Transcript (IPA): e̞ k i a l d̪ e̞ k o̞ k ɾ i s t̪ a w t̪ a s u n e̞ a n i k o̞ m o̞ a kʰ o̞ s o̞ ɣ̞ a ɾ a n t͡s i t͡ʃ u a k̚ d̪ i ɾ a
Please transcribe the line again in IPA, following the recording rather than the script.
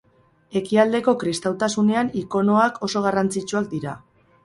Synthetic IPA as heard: e̞ k i a l d̪ e̞ k o̞ k ɾ i s t̪ a w t̪ a s u n e̞ a n i k o̞ n o̞ a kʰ o̞ s o̞ ɣ̞ a r a n t͡s i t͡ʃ u a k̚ d̪ i ɾ a